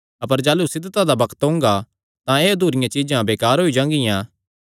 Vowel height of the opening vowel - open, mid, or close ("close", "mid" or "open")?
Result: open